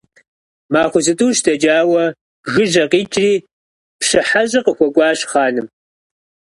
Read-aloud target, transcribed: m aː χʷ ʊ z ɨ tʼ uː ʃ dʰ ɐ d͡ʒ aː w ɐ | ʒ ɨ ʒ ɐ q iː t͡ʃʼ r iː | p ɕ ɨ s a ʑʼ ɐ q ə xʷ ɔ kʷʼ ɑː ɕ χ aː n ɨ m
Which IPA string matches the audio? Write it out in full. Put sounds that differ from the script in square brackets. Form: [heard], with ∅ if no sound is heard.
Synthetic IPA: m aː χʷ ʊ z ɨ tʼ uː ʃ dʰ ɐ d͡ʒ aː w ɐ | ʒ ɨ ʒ ɐ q iː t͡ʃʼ r iː | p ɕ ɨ [ħ] a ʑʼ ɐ q ə xʷ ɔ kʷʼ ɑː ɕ χ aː n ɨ m